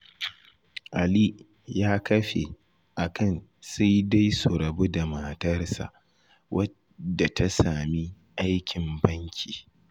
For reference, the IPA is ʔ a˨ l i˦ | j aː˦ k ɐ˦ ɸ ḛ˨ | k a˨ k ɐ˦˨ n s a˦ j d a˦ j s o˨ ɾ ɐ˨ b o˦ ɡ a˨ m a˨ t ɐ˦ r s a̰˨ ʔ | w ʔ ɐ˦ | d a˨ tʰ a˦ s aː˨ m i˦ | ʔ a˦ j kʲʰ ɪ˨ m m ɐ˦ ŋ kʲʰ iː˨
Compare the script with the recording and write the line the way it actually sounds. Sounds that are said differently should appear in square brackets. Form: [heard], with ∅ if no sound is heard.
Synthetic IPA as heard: ʔ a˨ l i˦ | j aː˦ k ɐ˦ ɸ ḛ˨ | [ʔ] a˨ k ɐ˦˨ n s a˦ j d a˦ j s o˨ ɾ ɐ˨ b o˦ [d] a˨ m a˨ t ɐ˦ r s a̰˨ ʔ | w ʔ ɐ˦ | d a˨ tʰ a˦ s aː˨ m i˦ | ʔ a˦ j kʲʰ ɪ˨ m [b] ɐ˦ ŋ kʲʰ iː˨